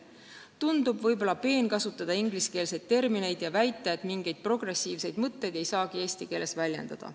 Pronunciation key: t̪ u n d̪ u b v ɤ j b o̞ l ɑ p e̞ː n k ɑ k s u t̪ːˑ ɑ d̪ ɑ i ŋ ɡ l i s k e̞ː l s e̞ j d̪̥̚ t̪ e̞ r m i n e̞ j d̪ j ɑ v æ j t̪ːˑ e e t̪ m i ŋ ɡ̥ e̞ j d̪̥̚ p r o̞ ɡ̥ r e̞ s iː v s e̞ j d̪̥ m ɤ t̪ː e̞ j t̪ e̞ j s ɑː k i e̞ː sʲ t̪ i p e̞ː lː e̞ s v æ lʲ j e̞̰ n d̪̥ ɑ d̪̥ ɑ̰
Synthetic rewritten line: t̪ u n d̪ u b v ɤ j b o̞ l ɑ p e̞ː n k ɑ s u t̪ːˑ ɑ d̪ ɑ i ŋ ɡ l i s k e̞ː l s e̞ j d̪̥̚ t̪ e̞ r m i n e̞ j d̪ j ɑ v æ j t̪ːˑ e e t̪ m i ŋ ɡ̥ e̞ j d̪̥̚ p r o̞ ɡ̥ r e̞ s iː v s e̞ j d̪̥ m ɤ t̪ː e̞ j d̪ e̞ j s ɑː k i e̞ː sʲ t̪ i k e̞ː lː e̞ s v æ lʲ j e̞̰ n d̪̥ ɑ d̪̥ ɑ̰

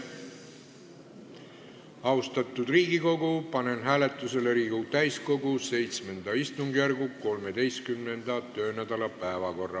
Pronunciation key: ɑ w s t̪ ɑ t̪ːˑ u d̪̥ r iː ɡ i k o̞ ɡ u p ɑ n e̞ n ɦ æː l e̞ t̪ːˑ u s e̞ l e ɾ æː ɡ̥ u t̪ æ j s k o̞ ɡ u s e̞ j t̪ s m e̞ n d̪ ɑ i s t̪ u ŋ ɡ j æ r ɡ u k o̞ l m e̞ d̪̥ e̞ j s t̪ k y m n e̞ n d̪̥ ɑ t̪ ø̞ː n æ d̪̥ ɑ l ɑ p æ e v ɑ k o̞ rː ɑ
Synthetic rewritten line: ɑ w s t̪ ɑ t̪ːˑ u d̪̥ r iː ɡ i k o̞ ɡ u p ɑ n e̞ n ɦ æː l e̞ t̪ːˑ u s e̞ l e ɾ iː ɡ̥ u t̪ æ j s k o̞ ɡ u s e̞ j t̪ s m e̞ n d̪ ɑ i s t̪ u ŋ ɡ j æ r ɡ u k o̞ l m e̞ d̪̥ e̞ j s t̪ k y m n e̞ n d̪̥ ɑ t̪ ø̞ː n æ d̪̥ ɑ l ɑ p æ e v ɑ k o̞ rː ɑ

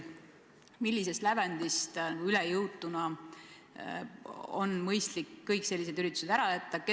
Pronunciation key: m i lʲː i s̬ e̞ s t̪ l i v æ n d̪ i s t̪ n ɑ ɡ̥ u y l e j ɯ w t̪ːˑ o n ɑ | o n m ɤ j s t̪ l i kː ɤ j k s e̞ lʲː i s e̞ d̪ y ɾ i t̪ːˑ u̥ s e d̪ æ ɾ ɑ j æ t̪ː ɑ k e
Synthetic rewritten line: m i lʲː i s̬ e̞ s t̪ l æ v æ n d̪ i s t̪ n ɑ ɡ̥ u y l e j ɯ w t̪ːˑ u n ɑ | o n m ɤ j s t̪ l i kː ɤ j k s e̞ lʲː i s e̞ d̪ y ɾ i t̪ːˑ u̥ s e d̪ æ ɾ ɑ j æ t̪ː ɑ k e

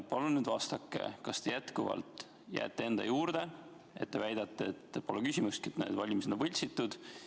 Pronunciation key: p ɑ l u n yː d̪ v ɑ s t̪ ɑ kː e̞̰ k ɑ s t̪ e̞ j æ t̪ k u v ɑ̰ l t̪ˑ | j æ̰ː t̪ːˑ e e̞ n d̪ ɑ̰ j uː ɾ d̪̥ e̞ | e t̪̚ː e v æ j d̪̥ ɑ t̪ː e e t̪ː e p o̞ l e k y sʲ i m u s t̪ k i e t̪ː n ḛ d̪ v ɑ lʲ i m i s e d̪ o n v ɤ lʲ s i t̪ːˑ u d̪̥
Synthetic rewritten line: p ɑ l u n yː d̪ v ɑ s t̪ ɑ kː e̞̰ k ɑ s t̪ e̞ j æ t̪ k u v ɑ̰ l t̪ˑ | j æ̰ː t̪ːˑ e e̞ n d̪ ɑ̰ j uː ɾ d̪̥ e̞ | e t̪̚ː e v æ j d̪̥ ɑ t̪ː e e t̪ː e p o̞ l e k y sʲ i m u s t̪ k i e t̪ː n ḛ d̪ v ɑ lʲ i m i s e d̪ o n v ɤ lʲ s i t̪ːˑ u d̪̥

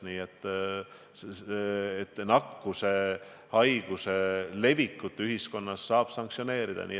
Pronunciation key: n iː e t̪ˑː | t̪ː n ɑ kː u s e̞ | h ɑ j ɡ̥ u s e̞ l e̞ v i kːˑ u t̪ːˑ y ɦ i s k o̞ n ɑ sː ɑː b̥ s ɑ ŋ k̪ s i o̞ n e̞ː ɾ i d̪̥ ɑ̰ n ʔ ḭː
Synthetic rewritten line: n iː e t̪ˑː | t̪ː n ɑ kː u s e̞ | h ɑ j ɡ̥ u s e̞ l e̞ v i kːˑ u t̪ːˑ y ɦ i s k o̞ nː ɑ sː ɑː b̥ s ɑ ŋ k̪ s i o̞ n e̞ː ɾ i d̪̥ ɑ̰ n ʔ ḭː

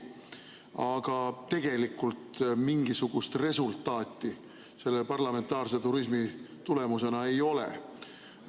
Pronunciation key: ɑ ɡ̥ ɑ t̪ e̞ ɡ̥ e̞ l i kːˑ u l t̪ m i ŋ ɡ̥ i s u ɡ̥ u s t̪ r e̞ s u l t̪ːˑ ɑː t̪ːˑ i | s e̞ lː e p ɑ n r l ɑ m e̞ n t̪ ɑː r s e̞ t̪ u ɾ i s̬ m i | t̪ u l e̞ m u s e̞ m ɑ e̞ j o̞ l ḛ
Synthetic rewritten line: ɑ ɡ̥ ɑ t̪ e̞ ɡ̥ e̞ l i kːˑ u l t̪ m i ŋ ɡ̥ i s u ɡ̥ u s t̪ r e̞ s u l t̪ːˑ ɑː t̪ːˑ i | s e̞ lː e p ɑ r l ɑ m e̞ n t̪ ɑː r s e̞ t̪ u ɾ i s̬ m i | t̪ u l e̞ m u s e̞ n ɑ e̞ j o̞ l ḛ

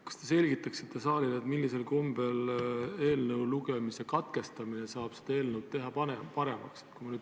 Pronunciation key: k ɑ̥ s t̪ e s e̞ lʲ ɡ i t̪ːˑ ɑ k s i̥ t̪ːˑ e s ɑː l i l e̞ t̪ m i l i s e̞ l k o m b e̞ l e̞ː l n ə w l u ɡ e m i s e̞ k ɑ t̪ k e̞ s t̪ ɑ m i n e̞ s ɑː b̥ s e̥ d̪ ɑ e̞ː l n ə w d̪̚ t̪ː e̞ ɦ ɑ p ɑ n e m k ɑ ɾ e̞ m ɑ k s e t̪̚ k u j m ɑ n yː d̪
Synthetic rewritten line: k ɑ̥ s t̪ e s e̞ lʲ ɡ i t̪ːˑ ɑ k s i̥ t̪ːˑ e s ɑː l i l e̞ t̪ m i lː i s e̞ l k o m b e̞ l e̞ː l n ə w l u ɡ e m i s e̞ k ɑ t̪ k e̞ s t̪ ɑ m i n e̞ s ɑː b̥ s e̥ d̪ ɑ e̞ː l n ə w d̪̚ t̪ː e̞ ɦ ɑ p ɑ n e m p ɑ ɾ e̞ m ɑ k s e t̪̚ k u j m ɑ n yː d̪

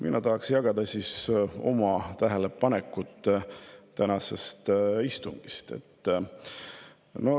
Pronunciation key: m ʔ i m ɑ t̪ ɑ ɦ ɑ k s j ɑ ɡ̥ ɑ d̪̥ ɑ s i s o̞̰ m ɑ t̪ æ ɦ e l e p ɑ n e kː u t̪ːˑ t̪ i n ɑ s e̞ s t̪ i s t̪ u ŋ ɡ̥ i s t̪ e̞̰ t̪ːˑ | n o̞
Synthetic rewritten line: m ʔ i n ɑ t̪ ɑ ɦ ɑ k s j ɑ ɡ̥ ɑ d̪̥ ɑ s i s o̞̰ m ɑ t̪ æ ɦ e l e p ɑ n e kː u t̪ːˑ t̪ æ n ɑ s e̞ s t̪ i s t̪ u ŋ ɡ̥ i s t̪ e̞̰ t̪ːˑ | n o̞

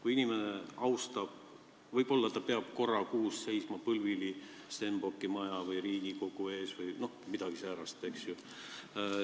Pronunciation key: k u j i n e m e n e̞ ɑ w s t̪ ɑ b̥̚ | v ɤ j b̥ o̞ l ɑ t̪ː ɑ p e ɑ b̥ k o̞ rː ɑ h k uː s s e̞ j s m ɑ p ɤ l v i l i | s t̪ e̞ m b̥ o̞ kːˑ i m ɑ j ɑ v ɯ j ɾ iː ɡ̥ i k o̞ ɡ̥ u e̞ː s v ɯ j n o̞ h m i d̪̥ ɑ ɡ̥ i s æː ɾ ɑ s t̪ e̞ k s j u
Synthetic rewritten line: k u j i n i m e n e̞ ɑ w s t̪ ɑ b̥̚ | v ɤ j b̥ o̞ lː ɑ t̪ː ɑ p e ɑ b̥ k o̞ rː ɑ k uː s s e̞ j s m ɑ p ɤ l v i l i | s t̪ e̞ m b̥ o̞ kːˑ i m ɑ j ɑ v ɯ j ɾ iː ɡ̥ i k o̞ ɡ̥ u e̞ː s v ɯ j n o̞ h m i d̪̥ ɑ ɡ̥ i s æː ɾ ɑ s t̪ e̞ k s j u

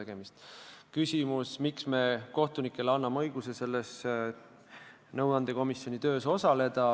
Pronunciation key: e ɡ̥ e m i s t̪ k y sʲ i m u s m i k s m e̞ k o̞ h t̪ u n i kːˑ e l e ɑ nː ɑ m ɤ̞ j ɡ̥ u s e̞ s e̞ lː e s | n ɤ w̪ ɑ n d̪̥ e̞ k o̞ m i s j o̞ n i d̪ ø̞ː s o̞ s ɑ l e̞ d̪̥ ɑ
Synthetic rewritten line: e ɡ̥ e m i s t̪ k y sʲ i m u s m i k s m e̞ k o̞ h t̪ u n i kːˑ e l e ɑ nː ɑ m ɤ̞ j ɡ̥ u s e̞ s e̞ lː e s | n ɤ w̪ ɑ n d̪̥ e̞ k o̞ m i s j o̞ n i t̪ ø̞ː s o̞ s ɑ l e̞ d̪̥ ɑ

